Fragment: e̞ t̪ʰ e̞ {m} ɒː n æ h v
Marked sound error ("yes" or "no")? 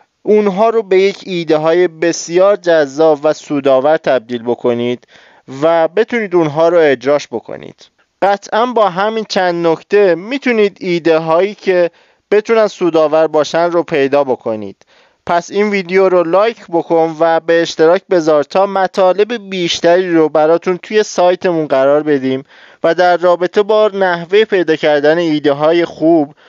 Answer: yes